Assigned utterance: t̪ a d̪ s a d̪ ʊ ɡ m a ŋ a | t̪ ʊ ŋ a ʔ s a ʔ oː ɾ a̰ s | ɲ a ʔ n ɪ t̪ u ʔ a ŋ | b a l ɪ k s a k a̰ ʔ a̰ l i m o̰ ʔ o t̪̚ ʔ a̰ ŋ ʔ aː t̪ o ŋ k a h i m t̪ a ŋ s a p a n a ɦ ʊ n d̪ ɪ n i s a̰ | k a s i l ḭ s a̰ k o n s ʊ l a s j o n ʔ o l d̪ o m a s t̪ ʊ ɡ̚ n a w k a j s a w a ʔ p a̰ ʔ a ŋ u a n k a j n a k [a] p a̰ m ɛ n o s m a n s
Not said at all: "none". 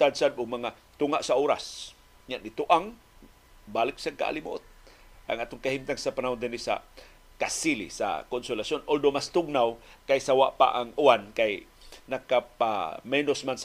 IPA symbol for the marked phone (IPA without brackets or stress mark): a